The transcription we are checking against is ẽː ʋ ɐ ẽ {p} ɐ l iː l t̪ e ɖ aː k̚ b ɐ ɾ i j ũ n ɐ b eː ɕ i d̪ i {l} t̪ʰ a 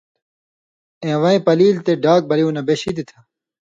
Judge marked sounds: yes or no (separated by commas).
yes, no